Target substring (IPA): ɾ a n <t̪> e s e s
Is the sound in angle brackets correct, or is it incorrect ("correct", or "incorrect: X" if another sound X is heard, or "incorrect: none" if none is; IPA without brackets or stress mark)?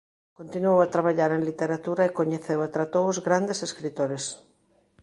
incorrect: d̪